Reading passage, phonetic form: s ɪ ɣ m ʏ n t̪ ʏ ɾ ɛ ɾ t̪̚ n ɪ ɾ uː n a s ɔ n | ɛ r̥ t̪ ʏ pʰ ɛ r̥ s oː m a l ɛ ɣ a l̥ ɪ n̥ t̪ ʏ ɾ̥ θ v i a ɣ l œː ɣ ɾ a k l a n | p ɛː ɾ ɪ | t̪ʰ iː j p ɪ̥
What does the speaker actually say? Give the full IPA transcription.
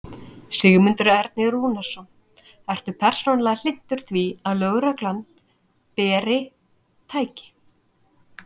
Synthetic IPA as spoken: s ɪ ɣ m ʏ n t̪ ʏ ɾ ɛ ɾ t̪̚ n ɪ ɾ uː n a s ɔ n | ɛ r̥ t̪ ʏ pʰ ɛ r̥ s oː n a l ɛ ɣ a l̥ ɪ n̥ t̪ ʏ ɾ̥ θ v i a ð l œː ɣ ɾ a k l a n | p ɛː ɾ ɪ | t̪ʰ aː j c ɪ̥